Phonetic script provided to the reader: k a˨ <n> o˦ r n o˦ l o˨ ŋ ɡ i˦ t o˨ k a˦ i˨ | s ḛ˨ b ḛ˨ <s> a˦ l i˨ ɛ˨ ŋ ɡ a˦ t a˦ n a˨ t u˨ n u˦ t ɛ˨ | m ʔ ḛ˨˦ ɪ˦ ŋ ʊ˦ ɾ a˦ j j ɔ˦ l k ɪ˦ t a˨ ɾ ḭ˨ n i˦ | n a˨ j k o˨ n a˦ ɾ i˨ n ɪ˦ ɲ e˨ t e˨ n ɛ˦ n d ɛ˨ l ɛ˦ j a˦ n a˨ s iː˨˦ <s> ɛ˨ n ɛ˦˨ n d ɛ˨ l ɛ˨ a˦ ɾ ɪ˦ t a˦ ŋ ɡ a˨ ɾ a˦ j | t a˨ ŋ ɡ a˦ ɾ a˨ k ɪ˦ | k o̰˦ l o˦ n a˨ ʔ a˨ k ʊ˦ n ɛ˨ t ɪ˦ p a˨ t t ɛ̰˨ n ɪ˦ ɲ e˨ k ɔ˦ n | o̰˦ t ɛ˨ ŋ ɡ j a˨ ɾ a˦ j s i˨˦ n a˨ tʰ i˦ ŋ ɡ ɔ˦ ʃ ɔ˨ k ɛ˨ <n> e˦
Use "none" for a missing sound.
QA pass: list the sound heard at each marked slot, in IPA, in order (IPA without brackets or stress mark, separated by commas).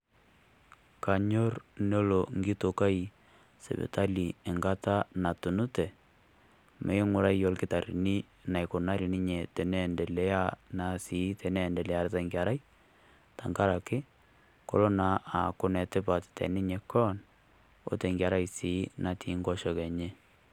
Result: ɲ, t, t, ɲ